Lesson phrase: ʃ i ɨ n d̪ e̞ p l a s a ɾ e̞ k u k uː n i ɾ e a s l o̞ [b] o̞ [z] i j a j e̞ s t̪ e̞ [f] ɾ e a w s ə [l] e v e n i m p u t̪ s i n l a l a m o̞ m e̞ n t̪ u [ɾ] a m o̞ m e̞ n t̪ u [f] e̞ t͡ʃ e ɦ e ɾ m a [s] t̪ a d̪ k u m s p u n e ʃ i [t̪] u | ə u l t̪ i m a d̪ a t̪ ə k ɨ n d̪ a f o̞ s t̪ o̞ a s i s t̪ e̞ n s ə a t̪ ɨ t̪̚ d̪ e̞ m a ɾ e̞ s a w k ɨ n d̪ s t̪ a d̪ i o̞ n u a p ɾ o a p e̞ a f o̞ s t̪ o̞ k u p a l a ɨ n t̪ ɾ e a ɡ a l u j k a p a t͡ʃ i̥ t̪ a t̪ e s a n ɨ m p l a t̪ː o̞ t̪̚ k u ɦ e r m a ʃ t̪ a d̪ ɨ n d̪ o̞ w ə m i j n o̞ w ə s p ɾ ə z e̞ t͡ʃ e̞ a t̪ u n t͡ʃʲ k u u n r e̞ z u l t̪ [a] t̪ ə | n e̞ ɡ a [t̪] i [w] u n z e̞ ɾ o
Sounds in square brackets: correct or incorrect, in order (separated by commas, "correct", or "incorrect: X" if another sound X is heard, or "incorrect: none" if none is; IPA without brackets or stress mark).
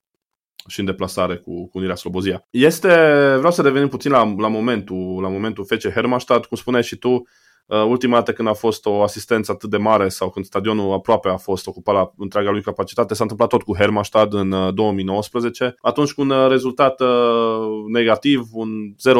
correct, correct, incorrect: v, incorrect: ɾ, incorrect: l, correct, incorrect: ʃ, correct, correct, correct, incorrect: v